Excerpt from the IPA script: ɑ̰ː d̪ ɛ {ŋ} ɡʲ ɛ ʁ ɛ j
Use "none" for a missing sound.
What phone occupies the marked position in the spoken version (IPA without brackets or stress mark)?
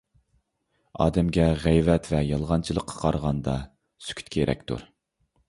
m